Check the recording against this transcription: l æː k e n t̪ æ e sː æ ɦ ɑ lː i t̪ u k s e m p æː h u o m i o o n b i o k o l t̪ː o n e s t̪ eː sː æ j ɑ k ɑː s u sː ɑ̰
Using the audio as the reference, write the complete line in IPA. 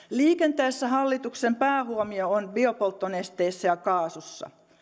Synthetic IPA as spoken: l iː k e n t̪ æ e sː æ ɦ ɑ lː i t̪ u k s e m p æː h u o m i o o n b i o p o l t̪ː o n e s t̪ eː sː æ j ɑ k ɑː s u sː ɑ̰